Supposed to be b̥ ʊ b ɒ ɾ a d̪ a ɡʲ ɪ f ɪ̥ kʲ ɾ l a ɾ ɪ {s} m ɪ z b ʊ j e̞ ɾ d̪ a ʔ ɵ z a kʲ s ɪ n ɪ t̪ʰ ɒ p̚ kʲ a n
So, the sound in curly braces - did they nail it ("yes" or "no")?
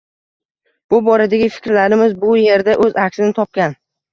no